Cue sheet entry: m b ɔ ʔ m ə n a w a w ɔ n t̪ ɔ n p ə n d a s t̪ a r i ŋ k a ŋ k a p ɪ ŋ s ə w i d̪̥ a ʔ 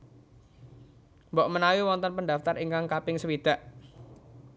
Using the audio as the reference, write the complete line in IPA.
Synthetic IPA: m b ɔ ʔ m ə n a w i w ɔ n t̪ ɔ n p ə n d a f t̪ a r i ŋ k a ŋ k a p ɪ ŋ s ə w i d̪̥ a ʔ